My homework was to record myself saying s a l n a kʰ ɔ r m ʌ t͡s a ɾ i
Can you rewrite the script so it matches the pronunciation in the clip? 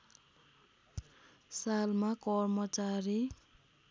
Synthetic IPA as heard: s a l m a k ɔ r m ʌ t͡s a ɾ i